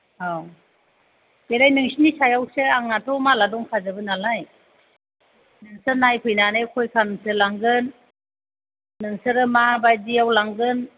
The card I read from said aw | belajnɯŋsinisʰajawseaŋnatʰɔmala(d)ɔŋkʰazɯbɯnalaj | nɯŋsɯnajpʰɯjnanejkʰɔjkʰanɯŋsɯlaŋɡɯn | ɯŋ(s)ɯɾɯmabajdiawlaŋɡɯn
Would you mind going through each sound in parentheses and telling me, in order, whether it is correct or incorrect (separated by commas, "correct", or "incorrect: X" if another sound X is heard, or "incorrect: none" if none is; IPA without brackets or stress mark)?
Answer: correct, correct